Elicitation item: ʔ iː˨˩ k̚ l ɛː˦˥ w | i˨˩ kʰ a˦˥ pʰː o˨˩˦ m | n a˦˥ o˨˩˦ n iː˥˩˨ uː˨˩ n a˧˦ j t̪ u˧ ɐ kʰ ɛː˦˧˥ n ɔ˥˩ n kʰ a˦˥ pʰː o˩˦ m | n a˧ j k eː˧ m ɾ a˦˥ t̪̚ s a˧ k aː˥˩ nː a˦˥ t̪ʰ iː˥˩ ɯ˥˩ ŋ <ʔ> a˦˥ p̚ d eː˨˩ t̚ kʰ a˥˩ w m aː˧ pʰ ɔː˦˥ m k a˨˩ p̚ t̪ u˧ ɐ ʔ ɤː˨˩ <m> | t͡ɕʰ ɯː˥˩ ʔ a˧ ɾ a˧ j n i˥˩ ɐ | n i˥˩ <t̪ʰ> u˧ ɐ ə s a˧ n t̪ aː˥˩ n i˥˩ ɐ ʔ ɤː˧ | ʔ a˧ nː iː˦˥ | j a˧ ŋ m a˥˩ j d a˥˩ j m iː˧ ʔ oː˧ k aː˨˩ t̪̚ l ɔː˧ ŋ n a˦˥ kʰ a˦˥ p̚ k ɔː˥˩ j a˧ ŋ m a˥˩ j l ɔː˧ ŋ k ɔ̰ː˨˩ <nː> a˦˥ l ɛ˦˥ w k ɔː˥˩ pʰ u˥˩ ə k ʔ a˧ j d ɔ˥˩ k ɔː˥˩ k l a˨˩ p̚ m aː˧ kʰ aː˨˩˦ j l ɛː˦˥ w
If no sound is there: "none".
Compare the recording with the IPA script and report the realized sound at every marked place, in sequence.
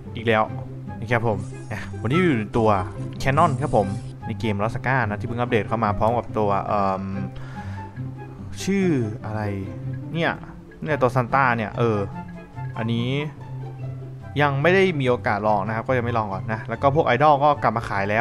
ʔ, m, t̪, nː

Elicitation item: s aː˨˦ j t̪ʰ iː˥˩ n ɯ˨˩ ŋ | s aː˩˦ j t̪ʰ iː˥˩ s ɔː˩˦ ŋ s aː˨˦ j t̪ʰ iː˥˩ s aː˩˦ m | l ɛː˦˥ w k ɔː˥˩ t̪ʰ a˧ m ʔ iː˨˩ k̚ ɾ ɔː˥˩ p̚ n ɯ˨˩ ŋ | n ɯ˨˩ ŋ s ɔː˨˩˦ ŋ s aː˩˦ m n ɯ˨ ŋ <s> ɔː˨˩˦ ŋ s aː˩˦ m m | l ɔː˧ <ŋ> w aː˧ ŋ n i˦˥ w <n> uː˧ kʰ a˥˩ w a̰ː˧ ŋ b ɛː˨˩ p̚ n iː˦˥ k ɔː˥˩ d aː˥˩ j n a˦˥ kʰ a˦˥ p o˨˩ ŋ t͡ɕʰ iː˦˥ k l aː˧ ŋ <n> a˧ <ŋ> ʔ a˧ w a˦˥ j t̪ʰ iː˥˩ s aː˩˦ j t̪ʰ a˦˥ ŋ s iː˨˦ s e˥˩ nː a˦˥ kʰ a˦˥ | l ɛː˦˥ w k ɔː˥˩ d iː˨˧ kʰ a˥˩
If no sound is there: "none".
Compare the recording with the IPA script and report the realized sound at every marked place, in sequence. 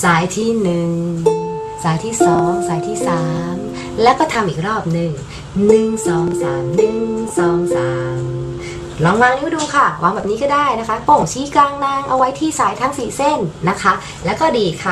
s, ŋ, d, n, ŋ

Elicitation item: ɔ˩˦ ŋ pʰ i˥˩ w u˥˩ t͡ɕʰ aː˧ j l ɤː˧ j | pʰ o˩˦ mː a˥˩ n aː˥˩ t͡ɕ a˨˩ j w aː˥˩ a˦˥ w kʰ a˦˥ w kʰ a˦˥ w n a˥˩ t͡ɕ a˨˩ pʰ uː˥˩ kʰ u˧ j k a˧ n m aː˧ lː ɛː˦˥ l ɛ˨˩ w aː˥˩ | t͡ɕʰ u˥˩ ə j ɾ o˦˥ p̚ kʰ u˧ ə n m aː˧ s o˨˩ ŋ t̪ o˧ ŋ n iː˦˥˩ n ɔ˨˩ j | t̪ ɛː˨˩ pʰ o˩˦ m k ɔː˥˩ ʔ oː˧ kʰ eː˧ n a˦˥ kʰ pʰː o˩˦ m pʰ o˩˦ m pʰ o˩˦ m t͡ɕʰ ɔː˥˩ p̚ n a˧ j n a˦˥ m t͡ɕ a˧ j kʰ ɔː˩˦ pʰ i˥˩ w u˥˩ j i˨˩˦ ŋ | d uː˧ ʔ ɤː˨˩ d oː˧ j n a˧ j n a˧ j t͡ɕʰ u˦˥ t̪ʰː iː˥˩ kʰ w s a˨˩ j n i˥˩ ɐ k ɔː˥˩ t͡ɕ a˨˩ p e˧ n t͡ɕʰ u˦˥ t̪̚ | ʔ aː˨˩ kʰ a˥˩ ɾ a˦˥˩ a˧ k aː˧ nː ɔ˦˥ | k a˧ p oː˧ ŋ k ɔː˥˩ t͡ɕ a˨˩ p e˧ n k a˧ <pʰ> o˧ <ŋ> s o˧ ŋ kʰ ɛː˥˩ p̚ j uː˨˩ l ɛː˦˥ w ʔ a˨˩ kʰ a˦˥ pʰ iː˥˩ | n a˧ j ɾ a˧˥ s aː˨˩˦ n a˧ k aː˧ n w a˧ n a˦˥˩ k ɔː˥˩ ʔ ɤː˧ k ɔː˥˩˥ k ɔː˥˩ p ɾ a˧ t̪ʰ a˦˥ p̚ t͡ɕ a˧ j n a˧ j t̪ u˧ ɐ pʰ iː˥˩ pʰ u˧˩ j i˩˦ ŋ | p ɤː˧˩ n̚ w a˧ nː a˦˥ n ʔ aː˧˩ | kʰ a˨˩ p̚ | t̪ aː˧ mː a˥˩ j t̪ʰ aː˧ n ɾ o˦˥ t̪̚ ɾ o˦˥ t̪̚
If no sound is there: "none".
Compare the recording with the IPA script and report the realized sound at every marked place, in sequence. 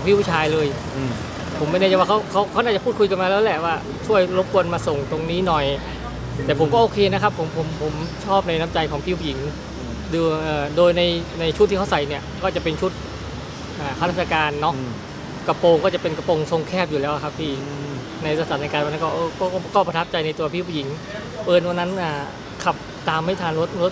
p, ŋ

